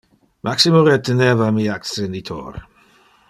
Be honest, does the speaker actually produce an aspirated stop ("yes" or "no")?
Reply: yes